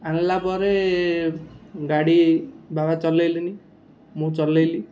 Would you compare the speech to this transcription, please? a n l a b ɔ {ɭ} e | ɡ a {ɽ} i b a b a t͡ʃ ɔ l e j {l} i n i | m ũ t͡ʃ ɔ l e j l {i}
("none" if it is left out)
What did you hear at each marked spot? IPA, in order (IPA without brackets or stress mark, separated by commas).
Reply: ɾ, ɽ, l, i